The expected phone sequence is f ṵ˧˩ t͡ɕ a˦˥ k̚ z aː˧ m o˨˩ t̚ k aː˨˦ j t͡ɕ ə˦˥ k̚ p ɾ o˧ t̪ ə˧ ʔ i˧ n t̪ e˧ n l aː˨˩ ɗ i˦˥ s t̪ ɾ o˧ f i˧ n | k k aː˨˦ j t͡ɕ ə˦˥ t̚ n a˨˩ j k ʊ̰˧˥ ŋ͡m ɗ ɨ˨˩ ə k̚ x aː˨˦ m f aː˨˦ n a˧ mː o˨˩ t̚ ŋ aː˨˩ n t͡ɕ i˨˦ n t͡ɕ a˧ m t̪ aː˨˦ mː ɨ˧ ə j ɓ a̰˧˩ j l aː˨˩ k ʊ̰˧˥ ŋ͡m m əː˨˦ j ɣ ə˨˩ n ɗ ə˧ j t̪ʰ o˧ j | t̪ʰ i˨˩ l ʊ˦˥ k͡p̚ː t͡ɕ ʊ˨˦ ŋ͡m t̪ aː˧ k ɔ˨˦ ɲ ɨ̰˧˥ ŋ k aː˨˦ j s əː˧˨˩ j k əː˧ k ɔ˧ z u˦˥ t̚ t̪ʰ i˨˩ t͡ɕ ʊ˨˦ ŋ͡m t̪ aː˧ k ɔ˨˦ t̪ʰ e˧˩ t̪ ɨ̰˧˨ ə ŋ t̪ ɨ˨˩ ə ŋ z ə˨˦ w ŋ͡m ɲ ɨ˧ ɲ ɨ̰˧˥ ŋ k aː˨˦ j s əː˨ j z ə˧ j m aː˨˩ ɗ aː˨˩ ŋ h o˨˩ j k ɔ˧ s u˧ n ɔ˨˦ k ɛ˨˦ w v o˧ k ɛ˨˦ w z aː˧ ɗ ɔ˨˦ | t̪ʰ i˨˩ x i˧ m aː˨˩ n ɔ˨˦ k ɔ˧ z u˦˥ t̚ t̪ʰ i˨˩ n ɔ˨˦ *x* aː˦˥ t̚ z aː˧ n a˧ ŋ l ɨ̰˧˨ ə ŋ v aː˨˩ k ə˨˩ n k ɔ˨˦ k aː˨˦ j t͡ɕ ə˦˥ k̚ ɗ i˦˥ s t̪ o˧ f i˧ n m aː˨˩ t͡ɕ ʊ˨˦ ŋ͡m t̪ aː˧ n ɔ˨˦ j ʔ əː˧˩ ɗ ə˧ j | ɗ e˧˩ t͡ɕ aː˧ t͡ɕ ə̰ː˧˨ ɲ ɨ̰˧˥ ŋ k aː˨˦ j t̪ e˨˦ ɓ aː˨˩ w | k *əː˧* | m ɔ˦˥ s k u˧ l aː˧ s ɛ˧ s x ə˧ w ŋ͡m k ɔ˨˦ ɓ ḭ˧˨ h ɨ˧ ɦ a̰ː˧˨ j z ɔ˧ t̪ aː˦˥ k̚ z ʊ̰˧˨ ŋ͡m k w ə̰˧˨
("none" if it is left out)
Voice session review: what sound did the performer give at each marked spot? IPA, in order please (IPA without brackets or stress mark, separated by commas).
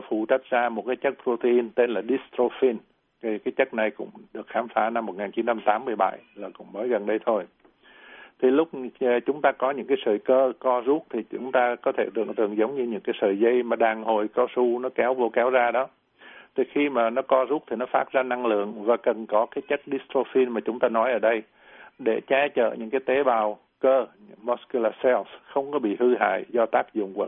f, əː˧